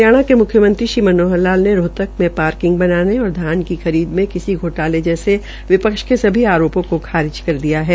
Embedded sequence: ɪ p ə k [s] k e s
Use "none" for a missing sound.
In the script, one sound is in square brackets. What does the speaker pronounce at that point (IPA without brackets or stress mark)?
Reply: ʃ